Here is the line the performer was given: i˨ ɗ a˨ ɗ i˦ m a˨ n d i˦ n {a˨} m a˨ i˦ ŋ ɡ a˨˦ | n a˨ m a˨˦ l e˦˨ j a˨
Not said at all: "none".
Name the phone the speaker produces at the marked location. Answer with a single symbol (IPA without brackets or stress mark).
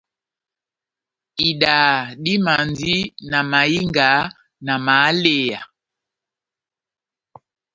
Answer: a˨